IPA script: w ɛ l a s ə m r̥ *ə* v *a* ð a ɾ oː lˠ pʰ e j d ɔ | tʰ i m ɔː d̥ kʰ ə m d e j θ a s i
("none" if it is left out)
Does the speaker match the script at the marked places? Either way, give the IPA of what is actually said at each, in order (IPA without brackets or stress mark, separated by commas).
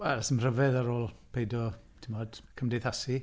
ə, ɛ